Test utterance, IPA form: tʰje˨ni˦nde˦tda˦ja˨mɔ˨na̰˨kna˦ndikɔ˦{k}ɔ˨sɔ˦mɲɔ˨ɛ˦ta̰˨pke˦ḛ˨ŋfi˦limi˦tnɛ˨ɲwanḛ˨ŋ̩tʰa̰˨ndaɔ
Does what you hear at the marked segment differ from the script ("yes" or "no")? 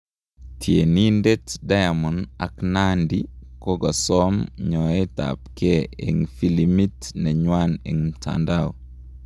yes